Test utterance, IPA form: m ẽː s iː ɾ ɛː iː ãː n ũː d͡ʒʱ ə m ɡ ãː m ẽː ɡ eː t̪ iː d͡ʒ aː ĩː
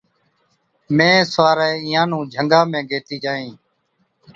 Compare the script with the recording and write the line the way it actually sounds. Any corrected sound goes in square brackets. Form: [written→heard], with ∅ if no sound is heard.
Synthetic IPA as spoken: m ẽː s [iː→aː] ɾ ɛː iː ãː n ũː d͡ʒʱ ə [m→ŋ] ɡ [ãː→aː] m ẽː ɡ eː t̪ iː d͡ʒ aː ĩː